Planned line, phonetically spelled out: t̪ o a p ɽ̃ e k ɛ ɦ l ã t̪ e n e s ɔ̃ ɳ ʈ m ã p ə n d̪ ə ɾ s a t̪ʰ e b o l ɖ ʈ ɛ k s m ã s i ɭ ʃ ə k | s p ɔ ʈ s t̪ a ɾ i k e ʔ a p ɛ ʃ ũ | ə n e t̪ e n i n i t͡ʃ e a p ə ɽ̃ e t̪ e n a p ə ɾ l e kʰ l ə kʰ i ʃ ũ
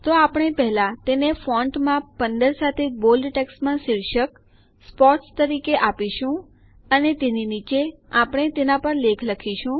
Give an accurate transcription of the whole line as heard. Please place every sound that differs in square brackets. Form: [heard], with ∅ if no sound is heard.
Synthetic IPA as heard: t̪ o a p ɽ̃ e [p] ɛ ɦ l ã t̪ e n e [f] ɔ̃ ɳ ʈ m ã p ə n d̪ ə ɾ s a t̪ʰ e b o l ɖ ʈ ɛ k s m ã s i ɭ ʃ ə k | s p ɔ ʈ s t̪ [ə] ɾ i k e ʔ a p [i] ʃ ũ | ə n e t̪ e n i n i t͡ʃ e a p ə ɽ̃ e t̪ e n a p ə ɾ l e kʰ l ə kʰ i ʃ ũ